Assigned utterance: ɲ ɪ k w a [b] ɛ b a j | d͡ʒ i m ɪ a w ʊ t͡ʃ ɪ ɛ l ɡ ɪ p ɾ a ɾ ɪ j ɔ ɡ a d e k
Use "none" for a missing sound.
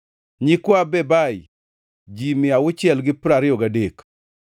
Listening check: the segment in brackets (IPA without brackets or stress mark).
b